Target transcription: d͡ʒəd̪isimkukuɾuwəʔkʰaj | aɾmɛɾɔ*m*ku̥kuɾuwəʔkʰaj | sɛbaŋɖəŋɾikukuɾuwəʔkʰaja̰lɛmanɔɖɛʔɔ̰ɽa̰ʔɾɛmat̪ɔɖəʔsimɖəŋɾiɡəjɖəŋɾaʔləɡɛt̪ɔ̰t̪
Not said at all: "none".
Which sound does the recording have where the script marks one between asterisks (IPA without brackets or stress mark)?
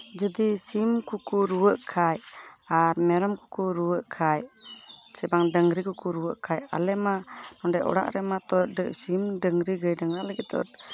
m